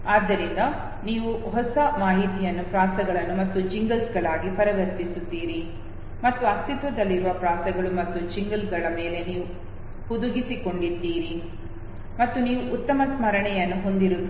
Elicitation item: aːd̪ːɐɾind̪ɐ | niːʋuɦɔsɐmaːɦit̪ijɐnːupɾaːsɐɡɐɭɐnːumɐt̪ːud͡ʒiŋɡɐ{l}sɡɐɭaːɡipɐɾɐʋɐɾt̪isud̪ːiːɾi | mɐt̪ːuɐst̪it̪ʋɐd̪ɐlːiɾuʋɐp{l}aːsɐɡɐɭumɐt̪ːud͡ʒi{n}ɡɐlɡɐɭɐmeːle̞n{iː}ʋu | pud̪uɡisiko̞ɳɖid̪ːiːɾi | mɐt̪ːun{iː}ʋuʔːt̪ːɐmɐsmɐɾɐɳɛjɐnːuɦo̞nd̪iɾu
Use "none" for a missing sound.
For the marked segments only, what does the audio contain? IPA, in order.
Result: l, ɾ, ŋ, iː, iː

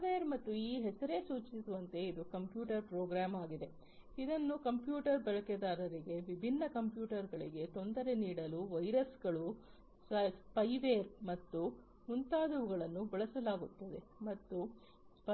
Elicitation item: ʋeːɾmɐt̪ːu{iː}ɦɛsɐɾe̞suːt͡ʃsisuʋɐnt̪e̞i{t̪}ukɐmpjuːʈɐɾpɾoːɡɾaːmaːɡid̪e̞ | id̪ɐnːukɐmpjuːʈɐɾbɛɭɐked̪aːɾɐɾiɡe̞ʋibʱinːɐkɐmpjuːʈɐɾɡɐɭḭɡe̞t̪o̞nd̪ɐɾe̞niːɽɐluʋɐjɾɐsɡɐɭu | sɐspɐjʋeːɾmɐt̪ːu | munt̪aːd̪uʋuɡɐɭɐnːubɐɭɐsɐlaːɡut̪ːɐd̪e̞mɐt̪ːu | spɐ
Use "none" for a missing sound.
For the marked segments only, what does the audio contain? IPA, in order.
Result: iː, d̪

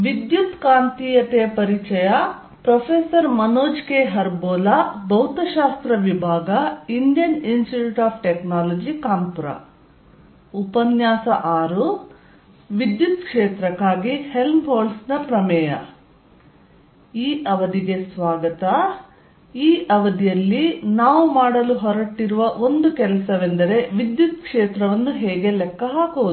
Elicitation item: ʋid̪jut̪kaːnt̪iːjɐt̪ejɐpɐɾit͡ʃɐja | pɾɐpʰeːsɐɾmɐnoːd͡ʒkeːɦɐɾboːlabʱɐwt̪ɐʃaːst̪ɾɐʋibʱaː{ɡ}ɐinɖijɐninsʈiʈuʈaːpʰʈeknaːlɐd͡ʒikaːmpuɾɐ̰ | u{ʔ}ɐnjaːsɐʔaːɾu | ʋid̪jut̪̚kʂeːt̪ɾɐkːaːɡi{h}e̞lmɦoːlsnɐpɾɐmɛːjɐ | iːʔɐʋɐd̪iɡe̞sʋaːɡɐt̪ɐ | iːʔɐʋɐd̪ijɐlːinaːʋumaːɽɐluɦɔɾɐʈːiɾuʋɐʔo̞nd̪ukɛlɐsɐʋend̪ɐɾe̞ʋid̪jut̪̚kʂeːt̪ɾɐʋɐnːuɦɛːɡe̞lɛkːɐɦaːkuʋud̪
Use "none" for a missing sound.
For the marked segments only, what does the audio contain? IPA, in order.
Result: ɡ, p, h

